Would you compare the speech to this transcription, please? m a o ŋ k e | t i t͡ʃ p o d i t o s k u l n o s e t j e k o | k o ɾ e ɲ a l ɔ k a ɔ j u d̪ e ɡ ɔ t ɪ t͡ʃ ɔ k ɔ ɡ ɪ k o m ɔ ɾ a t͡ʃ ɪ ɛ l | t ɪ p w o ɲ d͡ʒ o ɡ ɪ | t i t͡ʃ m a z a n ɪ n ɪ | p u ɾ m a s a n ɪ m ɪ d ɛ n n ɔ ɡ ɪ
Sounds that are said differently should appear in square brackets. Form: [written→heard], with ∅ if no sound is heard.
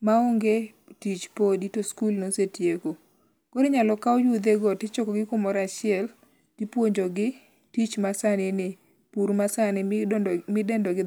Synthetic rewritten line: m a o ŋ [k→ɡ] e | t i t͡ʃ p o d i t o s k u l n o s e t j e k o | k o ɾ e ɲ a l ɔ k a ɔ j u d̪ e ɡ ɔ t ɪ t͡ʃ ɔ k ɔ ɡ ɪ k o m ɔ ɾ a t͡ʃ ɪ ɛ l | t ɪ p w o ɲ d͡ʒ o ɡ ɪ | t i t͡ʃ m a [z→s] a n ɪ n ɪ | p u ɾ m a s a n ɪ m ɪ d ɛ n [n→d] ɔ ɡ ɪ